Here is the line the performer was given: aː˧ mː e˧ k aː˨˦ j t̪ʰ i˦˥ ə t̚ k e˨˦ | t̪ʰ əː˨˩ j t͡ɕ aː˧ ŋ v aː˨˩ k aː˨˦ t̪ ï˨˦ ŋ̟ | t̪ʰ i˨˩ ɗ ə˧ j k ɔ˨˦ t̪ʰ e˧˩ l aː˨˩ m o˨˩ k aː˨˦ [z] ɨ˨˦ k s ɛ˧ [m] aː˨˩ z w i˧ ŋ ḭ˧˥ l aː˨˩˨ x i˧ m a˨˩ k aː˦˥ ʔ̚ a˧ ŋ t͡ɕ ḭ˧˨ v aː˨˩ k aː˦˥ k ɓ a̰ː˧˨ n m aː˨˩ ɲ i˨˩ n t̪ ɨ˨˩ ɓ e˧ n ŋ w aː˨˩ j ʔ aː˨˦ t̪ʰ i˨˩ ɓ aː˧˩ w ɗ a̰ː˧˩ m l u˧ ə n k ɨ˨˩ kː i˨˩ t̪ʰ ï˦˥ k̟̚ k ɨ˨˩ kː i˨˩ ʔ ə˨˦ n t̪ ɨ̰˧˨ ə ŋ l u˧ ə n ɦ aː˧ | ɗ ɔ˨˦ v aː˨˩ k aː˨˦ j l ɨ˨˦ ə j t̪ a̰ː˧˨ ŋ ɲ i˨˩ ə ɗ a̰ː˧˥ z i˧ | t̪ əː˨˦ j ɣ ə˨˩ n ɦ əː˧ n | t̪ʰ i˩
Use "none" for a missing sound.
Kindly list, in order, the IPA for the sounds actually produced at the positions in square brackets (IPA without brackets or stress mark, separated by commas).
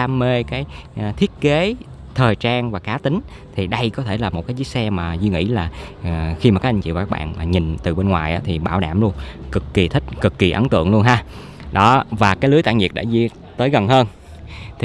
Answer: z, m